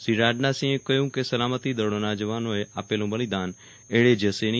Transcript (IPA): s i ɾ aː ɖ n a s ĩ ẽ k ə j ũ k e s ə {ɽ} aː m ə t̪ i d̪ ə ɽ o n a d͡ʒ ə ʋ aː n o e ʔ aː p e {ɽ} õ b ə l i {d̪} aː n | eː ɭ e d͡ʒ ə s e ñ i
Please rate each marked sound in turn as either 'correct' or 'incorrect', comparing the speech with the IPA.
incorrect: l, incorrect: l, correct

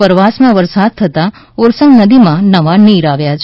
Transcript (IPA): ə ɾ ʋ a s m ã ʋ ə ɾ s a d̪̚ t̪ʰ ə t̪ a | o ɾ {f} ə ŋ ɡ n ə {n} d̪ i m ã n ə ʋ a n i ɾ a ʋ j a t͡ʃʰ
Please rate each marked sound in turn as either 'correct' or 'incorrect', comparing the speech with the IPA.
incorrect: s, incorrect: none

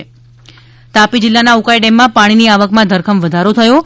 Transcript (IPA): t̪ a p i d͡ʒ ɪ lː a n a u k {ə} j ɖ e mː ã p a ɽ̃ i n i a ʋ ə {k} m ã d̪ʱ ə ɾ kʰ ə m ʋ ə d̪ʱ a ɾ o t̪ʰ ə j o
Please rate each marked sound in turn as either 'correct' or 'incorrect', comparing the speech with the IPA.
incorrect: a, correct

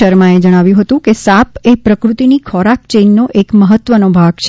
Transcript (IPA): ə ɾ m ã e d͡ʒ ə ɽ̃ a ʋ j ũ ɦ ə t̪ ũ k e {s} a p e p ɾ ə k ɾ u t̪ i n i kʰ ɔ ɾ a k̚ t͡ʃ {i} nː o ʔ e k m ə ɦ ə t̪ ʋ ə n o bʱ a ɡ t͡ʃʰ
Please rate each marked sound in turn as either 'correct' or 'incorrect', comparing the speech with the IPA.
correct, incorrect: e

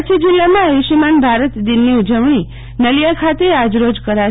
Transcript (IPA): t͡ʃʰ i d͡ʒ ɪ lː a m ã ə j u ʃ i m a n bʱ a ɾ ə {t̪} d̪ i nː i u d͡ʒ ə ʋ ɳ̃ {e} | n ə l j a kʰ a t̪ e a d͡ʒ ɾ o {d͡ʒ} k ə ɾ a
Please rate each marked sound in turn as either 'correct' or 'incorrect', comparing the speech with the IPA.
correct, incorrect: i, correct

